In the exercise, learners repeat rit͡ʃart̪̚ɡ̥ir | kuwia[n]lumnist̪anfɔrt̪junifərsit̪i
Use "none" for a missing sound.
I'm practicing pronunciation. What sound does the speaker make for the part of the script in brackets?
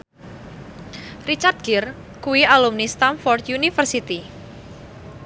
none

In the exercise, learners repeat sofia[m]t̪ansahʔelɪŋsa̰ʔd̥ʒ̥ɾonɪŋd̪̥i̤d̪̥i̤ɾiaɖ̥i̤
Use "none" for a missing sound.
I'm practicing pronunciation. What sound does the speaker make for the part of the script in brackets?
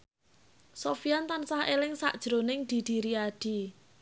n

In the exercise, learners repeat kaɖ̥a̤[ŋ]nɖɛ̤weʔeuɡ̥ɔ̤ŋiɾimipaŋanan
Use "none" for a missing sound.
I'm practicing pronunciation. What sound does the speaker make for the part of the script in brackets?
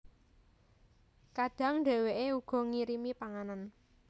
ŋ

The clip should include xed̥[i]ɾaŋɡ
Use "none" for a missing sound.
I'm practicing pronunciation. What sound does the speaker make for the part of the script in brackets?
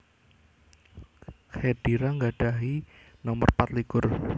i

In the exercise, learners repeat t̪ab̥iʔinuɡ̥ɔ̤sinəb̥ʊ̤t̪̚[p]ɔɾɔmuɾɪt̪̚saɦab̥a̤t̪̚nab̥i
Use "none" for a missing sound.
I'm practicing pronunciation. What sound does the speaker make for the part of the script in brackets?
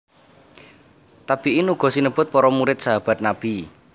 p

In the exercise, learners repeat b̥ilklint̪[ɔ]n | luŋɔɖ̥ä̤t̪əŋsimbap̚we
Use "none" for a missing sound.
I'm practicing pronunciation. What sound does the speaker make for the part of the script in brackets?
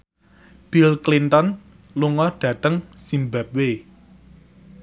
ɔ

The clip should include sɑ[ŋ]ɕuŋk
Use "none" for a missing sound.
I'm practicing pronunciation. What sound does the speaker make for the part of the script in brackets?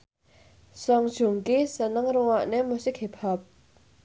ŋ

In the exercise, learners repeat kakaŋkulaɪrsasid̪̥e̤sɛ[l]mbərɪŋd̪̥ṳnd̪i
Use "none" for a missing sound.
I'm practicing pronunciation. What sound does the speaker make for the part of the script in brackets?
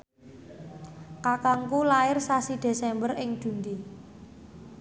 none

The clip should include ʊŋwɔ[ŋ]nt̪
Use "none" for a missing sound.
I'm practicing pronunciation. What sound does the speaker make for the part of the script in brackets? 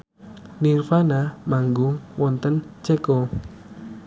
none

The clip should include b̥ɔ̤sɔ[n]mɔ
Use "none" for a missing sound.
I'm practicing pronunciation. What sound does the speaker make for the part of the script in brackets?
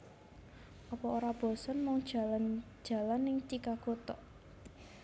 n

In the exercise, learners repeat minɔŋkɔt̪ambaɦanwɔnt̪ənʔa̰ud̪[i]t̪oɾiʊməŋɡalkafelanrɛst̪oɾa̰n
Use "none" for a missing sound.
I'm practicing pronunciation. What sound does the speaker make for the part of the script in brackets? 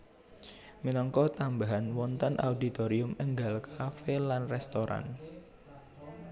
i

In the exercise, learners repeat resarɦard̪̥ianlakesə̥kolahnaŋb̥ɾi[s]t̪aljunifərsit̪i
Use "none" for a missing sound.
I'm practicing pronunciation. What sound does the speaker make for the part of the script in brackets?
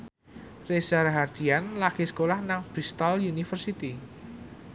s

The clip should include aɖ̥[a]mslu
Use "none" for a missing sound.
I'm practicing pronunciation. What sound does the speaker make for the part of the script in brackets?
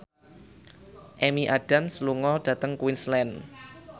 a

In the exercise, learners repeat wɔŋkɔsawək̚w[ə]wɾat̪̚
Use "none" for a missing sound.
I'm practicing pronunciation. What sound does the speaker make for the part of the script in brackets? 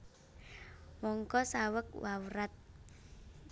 a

